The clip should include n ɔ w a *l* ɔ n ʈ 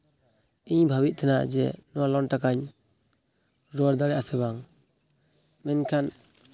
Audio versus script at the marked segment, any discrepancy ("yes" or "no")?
no